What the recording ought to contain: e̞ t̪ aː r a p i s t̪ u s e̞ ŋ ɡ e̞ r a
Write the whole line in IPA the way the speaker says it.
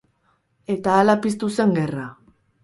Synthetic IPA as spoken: e̞ t̪ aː l a p i s t̪ u s e̞ ŋ ɡ e̞ r a

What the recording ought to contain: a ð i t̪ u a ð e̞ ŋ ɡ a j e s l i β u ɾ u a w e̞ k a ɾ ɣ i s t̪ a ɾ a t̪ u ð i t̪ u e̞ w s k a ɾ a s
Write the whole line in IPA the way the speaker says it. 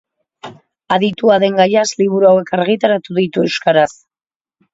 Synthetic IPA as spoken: a ð i t̪ u a ð e̞ ŋ ɡ a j a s l i β u ɾ u a w e̞ k a ɾ ɣ i t̪ a ɾ a t̪ u ð i t̪ u e̞ w s k a ɾ a s

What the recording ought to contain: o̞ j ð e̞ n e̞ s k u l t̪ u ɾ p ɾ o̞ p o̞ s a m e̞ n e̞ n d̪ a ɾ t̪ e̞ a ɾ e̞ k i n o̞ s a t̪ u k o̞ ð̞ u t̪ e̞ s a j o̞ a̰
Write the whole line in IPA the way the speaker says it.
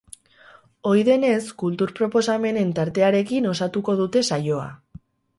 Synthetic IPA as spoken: o̞ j ð e̞ n e̞ s k u l t̪ u ɾ p ɾ o̞ p o̞ s a m e̞ n e̞ n t̪ a ɾ t̪ e̞ a ɾ e̞ k i n o̞ s a t̪ u k o̞ ð̞ u t̪ e̞ s a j o̞ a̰

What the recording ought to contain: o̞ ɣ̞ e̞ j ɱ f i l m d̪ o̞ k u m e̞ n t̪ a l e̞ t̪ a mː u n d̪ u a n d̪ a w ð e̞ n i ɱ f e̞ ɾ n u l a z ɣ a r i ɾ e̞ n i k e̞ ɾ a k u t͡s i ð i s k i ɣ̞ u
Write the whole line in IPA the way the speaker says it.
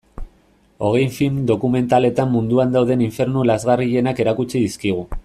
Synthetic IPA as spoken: o̞ ɣ̞ e̞ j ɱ f i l m d̪ o̞ k u m e̞ n t̪ a l e̞ t̪ a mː u n d̪ u a n d̪ a w ð e̞ n i ɱ f e̞ ɾ n u l a z ɣ a r i ʎ e̞ n a k e̞ ɾ a k u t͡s i ð i s k i ɣ̞ u

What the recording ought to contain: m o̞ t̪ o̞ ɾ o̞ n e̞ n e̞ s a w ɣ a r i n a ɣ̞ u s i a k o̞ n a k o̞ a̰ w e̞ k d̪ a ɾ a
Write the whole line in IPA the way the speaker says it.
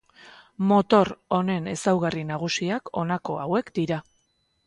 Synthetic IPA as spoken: m o̞ t̪ o̞ ɾ o̞ n e̞ n e̞ s a w ɣ a r i n a ɣ̞ u s i a k o̞ n a k o̞ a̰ w e̞ k d̪ i ɾ a

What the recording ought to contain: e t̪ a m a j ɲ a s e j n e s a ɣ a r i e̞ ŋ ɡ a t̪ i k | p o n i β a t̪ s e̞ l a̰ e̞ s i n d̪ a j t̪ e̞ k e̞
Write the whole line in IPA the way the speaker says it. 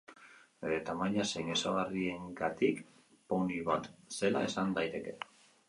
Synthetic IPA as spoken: e t̪ a m a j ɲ a s e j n e s a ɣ a r i e̞ ŋ ɡ a t̪ i k | p o n i β a t̪ s e̞ l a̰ e̞ s a n d̪ a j t̪ e̞ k e̞

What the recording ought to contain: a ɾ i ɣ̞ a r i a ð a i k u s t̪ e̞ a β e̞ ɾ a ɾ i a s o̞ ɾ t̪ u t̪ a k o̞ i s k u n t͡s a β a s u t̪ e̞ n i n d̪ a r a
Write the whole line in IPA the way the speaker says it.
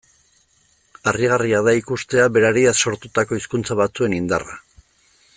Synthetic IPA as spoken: a r i ɣ̞ a r i a ð a i k u s t̪ e̞ a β e̞ ɾ a ɾ i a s o̞ ɾ t̪ u t̪ a k o̞ i s k u n t͡s a β a t͡s u e̞ n i n d̪ a r a

